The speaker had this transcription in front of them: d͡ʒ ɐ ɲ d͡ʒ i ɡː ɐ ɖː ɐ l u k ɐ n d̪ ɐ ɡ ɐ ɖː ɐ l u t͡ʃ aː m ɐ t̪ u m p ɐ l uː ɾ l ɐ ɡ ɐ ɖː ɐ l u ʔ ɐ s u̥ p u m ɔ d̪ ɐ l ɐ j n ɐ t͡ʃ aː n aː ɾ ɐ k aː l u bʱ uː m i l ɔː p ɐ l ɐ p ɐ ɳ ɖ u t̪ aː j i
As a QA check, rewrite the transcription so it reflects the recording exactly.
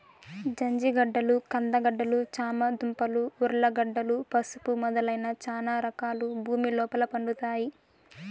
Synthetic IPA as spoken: d͡ʒ ɐ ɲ d͡ʒ i ɡ ɐ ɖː ɐ l u k ɐ n d̪ ɐ ɡ ɐ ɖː ɐ l u t͡ʃ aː m ɐ d̪ u m p ɐ l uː ɾ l ɐ ɡ ɐ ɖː ɐ l u p ɐ s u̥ p u m ɔ d̪ ɐ l ɐ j n ɐ t͡ʃ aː n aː ɾ ɐ k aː l u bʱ uː m i l ɔː p ɐ l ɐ p ɐ ɳ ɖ u t̪ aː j i